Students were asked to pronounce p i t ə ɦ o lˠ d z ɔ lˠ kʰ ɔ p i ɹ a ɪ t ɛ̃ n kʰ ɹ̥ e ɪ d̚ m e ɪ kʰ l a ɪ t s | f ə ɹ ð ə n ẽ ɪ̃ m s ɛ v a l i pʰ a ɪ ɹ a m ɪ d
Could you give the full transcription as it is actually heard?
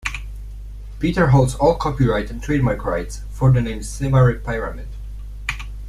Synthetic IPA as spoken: p i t ə ɦ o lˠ d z ɔ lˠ kʰ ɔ p i ɹ a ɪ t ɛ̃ n tʰ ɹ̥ e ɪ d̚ m a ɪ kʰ ɹ a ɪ t s | f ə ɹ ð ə n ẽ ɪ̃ m s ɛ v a ɹ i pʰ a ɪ ɹ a m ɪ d